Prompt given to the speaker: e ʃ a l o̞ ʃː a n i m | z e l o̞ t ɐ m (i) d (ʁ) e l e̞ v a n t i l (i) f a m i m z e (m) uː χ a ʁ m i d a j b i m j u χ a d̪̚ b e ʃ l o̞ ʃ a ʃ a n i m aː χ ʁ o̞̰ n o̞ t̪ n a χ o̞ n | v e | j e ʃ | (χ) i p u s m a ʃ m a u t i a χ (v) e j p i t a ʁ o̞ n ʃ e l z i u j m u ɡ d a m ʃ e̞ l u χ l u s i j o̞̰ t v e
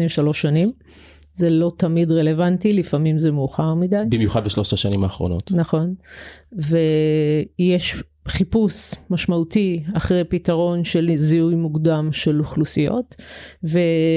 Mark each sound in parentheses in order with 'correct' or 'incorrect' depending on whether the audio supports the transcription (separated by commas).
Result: correct, correct, correct, correct, correct, incorrect